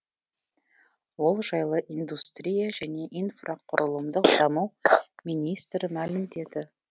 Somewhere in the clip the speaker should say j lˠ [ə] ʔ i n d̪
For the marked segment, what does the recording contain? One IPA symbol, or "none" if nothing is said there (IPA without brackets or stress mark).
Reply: ə